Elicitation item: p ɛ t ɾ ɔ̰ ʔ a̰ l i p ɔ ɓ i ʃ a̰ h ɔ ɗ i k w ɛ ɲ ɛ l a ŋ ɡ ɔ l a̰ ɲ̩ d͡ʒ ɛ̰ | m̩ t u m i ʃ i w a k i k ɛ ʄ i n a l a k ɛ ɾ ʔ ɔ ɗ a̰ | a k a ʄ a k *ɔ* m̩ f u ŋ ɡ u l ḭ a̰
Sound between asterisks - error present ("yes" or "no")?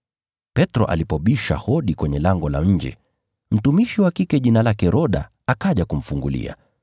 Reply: yes